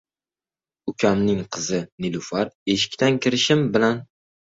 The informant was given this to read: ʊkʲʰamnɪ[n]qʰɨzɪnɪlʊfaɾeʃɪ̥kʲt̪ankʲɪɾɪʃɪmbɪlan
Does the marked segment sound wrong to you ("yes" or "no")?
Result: yes